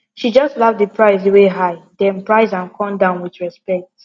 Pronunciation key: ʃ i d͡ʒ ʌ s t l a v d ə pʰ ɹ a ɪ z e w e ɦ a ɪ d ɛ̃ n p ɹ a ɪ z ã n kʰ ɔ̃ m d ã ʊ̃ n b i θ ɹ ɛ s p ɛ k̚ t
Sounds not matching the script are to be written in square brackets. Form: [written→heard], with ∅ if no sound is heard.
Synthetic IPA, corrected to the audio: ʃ i d͡ʒ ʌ s t l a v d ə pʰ ɹ a ɪ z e w e ɦ a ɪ d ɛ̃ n p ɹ a ɪ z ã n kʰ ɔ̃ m d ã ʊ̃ n [b→w] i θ ɹ ɛ s p ɛ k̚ t